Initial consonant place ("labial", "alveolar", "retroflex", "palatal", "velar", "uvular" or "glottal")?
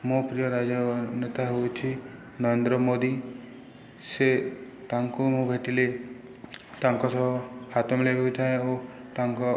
labial